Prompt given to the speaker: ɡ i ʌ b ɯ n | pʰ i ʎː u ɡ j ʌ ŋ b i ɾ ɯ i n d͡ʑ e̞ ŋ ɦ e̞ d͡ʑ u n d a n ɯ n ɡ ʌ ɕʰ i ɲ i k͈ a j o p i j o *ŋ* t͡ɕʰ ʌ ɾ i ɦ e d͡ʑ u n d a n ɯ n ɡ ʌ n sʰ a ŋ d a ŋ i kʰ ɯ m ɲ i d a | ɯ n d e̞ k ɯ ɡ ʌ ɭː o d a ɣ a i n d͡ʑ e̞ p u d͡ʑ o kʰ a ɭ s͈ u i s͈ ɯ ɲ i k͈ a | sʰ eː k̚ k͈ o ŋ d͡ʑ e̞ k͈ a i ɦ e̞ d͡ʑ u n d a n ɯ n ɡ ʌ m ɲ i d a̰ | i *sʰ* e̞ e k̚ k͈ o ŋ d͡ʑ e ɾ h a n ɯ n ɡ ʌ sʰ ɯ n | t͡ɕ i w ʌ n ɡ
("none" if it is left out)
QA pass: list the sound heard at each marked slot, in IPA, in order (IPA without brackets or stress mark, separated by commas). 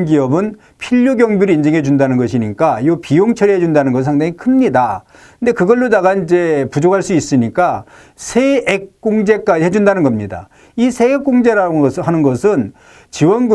ŋ, sʰ